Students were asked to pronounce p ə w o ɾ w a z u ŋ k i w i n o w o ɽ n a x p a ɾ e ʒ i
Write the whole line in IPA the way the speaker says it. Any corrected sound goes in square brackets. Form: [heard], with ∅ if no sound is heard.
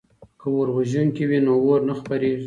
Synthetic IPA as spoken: [k] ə w o ɾ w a [ʒ] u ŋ k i w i n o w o [ɾ] n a x p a ɾ e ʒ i